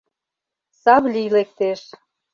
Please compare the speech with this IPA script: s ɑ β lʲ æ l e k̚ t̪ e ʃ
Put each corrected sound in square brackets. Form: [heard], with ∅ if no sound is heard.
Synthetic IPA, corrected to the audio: s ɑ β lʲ [i] l e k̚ t̪ e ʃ